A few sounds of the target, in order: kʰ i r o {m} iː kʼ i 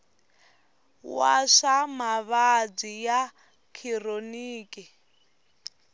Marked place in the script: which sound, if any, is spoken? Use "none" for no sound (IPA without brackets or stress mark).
n